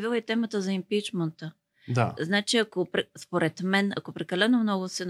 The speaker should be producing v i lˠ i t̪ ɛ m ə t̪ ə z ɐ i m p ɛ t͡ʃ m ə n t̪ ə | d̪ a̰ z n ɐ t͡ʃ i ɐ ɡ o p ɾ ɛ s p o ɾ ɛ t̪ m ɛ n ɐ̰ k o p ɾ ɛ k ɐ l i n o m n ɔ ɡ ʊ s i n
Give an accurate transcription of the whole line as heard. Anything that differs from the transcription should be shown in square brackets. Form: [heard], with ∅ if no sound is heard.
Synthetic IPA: v i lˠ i t̪ ɛ m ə t̪ ə z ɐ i m p [i] t͡ʃ m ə n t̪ ə | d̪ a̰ z n [a] t͡ʃ i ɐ [k] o p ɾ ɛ s p o ɾ ɛ t̪ m ɛ n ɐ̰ k o p ɾ ɛ k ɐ l [ɛ] n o m n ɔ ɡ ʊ s [ɛ] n